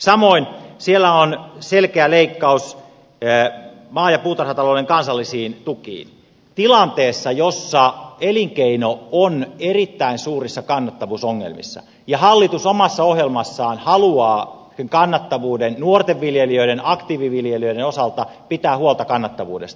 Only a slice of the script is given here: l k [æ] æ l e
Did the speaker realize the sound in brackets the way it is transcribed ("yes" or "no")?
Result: no